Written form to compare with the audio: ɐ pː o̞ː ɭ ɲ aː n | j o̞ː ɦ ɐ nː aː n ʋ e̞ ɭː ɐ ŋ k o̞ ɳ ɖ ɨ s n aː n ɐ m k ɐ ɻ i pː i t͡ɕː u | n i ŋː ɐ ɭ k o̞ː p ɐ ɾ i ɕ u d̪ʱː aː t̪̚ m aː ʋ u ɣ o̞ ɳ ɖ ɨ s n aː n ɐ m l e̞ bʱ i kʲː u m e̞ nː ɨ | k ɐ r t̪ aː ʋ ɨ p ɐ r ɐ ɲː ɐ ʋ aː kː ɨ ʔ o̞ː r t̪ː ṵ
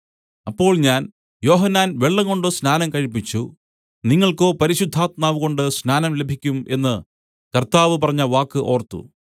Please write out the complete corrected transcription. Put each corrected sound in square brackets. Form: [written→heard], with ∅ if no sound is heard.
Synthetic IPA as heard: ɐ pː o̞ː ɭ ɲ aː n | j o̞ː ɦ ɐ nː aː n ʋ e̞ ɭː ɐ ŋ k o̞ ɳ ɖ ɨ s n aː n ɐ m k ɐ ɻ i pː i t͡ɕː u | n i ŋː ɐ ɭ k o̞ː p ɐ ɾ i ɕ u d̪ʱː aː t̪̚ m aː ʋ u ɣ o̞ ɳ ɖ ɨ s n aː n ɐ m l e̞ bʱ i kʲː u m e̞ nː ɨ | k ɐ r t̪ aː ʋ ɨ p ɐ r ɐ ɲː ɐ ʋ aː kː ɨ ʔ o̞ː r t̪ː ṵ